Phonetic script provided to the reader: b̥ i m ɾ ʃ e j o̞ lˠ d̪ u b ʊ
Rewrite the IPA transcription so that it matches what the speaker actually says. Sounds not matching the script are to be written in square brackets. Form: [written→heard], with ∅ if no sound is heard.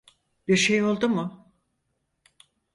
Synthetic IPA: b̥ i [m→∅] ɾ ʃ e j o̞ lˠ d̪ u [b→m] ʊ